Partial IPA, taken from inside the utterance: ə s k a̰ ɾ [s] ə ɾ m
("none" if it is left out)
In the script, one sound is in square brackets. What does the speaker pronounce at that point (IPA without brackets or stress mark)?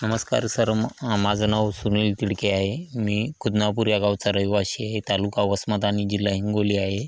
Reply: s